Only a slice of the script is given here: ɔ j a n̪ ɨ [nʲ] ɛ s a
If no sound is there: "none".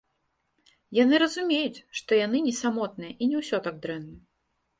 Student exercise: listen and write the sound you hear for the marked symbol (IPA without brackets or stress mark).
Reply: nʲ